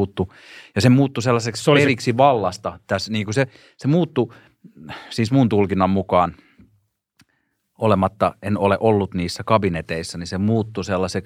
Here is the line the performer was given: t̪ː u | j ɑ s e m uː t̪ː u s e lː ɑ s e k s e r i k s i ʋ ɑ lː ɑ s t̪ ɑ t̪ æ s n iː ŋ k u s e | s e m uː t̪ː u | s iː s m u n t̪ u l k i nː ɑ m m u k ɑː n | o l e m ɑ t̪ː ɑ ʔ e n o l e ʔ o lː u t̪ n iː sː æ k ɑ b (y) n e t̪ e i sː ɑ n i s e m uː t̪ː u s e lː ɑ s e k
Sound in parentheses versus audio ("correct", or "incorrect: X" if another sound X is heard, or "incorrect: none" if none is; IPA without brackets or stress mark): incorrect: i